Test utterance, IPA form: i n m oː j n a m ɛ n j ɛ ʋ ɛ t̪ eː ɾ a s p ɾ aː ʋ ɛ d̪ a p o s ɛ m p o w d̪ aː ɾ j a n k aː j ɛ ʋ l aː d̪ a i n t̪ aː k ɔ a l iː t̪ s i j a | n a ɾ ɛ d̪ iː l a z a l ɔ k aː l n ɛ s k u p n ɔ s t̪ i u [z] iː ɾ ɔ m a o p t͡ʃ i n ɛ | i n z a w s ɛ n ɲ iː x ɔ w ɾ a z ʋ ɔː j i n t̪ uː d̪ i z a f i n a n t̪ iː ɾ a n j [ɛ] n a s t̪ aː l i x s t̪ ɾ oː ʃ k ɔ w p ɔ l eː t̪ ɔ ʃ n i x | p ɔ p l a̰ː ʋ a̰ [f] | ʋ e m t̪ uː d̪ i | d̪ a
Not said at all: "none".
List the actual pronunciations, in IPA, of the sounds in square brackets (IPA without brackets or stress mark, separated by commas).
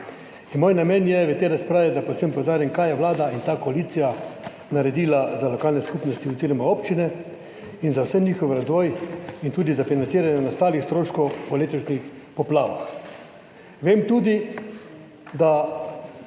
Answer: z, ɛ, x